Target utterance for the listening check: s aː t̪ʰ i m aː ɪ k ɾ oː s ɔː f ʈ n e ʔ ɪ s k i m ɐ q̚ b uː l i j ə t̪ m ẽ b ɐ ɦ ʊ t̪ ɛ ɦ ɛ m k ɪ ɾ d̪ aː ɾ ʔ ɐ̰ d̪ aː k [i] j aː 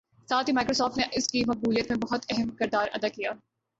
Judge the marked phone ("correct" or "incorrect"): correct